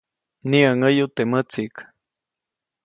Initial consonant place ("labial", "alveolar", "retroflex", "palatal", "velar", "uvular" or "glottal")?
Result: alveolar